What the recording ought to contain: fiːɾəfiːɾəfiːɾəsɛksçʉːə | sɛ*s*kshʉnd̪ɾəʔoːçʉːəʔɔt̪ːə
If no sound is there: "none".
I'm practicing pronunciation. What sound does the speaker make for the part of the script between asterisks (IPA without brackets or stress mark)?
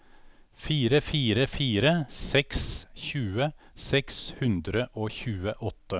none